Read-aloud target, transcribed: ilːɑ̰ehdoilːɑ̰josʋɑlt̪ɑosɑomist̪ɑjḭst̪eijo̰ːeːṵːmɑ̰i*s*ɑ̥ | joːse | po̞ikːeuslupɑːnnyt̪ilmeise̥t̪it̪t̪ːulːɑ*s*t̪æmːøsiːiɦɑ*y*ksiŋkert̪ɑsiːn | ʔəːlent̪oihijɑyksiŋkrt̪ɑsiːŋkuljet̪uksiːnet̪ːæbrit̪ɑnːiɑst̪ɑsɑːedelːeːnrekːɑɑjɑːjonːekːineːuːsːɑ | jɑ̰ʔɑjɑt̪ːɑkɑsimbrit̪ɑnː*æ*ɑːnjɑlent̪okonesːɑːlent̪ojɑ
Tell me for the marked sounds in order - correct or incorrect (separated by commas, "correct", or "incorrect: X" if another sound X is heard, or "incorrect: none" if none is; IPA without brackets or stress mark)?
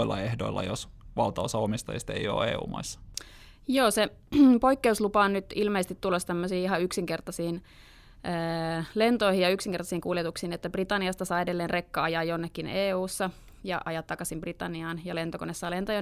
incorrect: sː, correct, correct, incorrect: i